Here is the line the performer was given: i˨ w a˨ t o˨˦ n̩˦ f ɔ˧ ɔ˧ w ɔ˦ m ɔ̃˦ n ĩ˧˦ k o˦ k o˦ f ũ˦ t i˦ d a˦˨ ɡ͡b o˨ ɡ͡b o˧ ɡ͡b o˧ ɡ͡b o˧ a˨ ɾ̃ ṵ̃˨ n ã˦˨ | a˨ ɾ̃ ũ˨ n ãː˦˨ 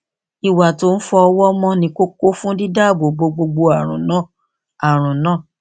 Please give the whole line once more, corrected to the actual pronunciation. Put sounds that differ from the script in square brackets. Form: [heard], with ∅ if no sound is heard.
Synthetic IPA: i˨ w a˨ t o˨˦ n̩˦ f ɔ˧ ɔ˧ w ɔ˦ m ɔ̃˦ n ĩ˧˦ k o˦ k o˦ f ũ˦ [d] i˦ d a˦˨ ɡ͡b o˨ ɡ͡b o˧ ɡ͡b o˧ ɡ͡b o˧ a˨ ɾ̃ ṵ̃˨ n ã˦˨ | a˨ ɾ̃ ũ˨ n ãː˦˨